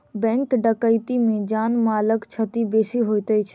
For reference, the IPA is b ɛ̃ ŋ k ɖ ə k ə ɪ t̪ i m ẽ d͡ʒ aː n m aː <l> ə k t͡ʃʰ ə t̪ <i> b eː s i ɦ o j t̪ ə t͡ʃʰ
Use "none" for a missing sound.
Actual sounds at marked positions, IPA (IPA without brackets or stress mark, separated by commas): l, i